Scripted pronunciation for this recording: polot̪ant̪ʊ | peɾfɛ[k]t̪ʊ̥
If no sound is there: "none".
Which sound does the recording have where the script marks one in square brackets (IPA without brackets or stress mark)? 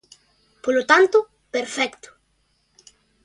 k